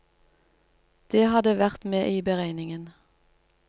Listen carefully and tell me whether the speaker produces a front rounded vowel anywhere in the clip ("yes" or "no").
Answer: no